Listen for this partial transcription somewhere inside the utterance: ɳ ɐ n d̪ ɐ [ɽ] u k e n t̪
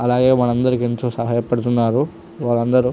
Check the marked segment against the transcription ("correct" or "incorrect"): incorrect